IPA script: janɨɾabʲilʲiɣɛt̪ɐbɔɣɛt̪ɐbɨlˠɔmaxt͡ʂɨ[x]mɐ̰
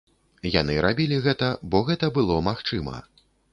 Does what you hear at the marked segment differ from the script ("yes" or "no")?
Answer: yes